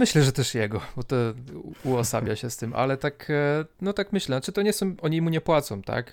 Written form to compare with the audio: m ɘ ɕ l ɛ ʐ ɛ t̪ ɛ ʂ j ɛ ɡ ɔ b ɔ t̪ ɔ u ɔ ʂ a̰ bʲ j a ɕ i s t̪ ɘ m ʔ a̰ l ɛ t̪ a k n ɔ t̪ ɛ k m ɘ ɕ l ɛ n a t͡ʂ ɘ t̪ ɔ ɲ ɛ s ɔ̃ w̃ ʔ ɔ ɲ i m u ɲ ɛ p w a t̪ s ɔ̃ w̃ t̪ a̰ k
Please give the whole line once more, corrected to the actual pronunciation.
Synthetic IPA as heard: m ɘ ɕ l ɛ ʐ ɛ t̪ ɛ ʂ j ɛ ɡ ɔ b ɔ t̪ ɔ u ɔ s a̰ bʲ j a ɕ ɛ s t̪ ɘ m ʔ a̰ l ɛ t̪ a k n ɔ t̪ a k m ɘ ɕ l ɛ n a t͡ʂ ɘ t̪ ɔ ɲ ɛ s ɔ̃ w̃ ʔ ɔ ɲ i m u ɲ ɛ p w a t̪ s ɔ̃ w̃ t̪ a̰ k